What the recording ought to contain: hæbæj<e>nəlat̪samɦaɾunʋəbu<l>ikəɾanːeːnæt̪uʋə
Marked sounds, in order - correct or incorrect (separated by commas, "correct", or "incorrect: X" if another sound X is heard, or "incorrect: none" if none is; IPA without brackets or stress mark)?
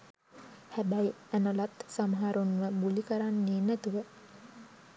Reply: incorrect: æ, correct